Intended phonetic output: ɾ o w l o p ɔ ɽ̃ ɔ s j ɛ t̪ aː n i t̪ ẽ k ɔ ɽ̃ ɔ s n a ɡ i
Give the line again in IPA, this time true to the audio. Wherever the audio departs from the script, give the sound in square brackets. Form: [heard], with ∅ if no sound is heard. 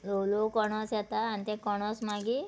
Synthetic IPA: [l] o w l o [k] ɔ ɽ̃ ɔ s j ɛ t̪ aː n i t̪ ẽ k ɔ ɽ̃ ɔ s [m] a ɡ i